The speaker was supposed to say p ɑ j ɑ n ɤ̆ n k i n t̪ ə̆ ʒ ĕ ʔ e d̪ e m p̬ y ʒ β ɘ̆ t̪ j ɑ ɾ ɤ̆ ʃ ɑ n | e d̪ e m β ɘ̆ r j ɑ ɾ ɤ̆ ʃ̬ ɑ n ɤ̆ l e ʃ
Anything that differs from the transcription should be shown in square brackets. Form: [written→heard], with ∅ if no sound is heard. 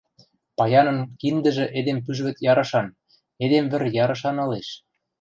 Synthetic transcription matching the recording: p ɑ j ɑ n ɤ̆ n k i n [t̪→d̪] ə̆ ʒ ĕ ʔ e d̪ e m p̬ y ʒ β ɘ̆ t̪ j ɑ ɾ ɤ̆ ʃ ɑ n | e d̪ e m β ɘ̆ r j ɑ ɾ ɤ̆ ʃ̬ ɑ n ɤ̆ l e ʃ